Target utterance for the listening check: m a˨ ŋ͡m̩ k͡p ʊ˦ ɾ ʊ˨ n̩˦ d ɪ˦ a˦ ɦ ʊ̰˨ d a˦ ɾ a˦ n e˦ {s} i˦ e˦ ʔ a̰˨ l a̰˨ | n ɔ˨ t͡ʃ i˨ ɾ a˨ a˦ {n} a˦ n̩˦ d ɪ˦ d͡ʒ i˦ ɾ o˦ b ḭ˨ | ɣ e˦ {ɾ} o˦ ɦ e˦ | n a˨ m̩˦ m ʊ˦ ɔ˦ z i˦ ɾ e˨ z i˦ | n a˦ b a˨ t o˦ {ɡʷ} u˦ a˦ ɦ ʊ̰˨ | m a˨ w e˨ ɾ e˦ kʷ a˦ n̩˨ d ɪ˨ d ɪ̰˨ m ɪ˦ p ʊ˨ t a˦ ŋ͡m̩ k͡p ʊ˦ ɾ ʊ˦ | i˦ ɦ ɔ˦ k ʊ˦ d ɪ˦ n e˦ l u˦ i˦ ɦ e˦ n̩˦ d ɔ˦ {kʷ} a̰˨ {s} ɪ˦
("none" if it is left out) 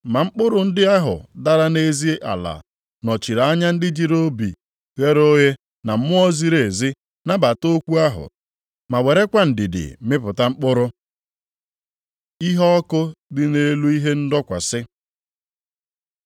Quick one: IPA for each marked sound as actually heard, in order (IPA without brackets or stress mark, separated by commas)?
z, ɲ, ɾ, kʷ, kʷ, s